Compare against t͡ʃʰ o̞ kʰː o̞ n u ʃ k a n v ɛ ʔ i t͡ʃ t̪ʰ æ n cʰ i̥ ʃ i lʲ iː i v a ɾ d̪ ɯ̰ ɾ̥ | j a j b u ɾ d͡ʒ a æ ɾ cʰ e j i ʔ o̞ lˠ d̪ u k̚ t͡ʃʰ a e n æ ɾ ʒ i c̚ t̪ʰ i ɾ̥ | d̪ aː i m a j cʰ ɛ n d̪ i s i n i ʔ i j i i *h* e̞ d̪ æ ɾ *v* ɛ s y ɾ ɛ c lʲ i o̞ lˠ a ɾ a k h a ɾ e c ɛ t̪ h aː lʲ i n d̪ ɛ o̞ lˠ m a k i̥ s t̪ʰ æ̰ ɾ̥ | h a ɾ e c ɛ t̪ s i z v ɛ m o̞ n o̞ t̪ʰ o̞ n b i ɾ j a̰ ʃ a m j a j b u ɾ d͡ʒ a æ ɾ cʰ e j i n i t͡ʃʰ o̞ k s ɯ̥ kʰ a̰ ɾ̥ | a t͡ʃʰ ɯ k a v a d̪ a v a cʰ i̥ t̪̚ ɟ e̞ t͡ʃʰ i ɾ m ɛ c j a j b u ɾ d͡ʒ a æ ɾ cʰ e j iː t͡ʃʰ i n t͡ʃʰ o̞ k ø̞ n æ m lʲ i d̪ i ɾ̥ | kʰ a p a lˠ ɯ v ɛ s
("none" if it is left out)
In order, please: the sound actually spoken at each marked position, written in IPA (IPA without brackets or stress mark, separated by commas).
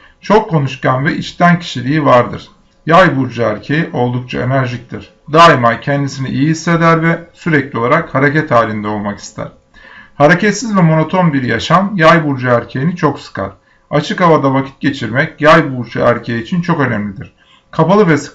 s, v